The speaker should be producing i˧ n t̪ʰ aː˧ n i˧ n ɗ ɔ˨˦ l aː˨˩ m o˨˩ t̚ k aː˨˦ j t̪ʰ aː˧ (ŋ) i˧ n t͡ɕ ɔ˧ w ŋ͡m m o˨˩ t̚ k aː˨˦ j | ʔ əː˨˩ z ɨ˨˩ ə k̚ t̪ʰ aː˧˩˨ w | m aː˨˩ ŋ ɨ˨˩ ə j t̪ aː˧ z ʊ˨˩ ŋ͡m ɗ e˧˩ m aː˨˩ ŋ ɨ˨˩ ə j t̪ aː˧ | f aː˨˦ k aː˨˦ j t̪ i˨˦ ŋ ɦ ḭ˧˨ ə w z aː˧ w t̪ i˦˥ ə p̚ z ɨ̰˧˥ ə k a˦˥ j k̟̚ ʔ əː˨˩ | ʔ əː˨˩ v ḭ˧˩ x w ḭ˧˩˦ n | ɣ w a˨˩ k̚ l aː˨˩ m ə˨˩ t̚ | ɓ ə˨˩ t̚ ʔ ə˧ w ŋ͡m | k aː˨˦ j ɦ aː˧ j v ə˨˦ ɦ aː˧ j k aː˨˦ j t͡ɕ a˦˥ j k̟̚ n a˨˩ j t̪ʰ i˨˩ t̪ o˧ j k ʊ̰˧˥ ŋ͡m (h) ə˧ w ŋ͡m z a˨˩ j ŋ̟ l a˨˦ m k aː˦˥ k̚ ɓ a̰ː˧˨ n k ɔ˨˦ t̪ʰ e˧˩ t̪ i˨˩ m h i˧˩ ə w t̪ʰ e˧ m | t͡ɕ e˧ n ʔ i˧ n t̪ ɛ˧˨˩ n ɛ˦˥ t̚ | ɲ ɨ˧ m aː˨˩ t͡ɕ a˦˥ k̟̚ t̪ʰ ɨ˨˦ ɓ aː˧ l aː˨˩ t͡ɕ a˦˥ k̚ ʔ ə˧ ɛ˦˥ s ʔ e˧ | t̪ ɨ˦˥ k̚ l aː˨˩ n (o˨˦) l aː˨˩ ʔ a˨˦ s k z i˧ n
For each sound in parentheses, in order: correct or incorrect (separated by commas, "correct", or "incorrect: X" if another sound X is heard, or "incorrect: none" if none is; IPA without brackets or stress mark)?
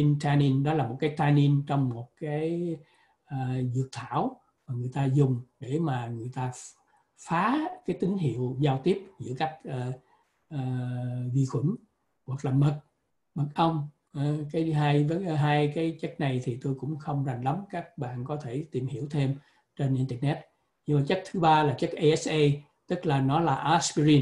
incorrect: n, incorrect: x, incorrect: ɔ˨˦